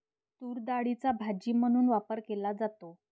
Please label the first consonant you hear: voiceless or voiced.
voiceless